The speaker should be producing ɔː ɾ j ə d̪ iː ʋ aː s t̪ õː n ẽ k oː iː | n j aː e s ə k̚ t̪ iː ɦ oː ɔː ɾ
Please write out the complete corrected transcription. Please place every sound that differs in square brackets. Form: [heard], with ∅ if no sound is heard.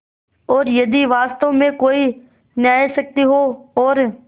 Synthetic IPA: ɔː ɾ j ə d̪ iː ʋ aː s t̪ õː [m] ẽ k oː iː | n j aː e s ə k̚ t̪ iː ɦ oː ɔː ɾ